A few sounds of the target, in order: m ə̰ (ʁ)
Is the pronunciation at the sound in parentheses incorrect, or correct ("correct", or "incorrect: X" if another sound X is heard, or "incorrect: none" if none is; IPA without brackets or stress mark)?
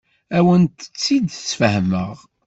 correct